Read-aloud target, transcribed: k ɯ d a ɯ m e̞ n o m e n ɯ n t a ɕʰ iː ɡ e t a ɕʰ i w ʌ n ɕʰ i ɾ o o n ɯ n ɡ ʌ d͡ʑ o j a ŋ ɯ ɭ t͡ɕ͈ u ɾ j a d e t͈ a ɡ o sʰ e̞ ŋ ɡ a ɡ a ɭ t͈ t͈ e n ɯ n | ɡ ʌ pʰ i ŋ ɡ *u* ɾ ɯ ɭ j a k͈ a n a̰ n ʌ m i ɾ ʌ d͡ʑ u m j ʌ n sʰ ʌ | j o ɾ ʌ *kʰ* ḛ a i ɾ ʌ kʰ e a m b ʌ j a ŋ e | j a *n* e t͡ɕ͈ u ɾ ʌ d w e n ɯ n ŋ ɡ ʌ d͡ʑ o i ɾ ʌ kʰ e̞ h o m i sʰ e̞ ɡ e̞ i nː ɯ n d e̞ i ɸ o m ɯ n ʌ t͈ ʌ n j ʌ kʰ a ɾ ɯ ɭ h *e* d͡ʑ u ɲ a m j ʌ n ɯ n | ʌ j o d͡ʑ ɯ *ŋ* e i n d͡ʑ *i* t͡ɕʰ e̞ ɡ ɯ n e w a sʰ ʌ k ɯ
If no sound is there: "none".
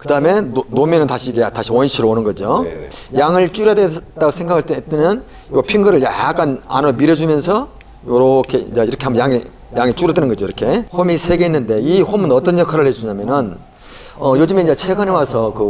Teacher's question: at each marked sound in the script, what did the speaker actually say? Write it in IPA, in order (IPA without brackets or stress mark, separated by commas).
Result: ɯ, kʰ, ŋ, e, m, e